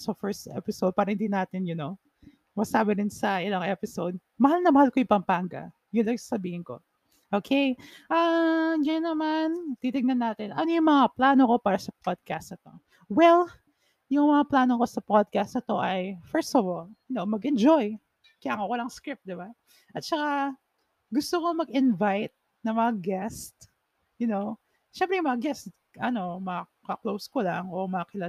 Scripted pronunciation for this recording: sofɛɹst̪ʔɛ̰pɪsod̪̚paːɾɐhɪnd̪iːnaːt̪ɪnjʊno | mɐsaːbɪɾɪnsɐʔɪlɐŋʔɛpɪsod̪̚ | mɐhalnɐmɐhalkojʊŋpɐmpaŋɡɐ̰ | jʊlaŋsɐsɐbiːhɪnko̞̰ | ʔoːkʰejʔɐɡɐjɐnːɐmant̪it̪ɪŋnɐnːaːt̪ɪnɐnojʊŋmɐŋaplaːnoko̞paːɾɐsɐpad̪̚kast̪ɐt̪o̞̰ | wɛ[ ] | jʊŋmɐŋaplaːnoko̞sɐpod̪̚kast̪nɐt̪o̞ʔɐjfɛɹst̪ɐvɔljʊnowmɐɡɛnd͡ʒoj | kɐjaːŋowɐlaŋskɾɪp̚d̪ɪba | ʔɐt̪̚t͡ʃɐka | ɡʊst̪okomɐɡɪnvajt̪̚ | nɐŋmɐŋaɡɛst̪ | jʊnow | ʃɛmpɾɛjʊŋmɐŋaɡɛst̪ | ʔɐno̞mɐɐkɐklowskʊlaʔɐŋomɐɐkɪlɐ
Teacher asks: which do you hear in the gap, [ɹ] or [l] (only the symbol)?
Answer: l